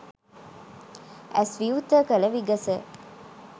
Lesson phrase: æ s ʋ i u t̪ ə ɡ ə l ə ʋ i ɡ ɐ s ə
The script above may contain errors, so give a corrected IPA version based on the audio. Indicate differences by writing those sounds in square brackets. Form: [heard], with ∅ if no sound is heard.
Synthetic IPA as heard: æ s ʋ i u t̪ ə [k] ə l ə ʋ i ɡ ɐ s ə